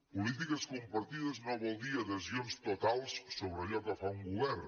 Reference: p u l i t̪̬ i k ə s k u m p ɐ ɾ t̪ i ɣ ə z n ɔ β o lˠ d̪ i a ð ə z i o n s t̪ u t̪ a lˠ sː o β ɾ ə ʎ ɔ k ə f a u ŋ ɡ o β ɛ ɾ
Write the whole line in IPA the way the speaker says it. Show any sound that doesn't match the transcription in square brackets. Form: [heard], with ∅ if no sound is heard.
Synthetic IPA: p u l i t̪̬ i k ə s k u m p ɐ ɾ t̪ i [ð] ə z n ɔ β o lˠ d̪ i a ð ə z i o n s t̪ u t̪ a lˠ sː o β ɾ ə ʎ ɔ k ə f a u ŋ ɡ [u] β ɛ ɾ